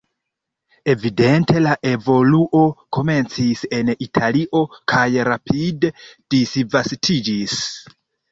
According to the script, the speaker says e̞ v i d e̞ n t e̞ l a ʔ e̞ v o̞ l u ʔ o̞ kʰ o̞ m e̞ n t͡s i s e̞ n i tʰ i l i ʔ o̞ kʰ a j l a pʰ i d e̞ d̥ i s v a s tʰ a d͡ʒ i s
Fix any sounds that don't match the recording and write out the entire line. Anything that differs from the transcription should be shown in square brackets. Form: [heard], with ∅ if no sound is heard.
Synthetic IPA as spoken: e̞ v i d e̞ n t e̞ l a ʔ e̞ v o̞ l u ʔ o̞ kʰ o̞ m e̞ n t͡s i s e̞ n i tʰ [a] l i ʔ o̞ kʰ a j [ɾ] a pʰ i d e̞ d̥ i s v a s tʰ [i] d͡ʒ i s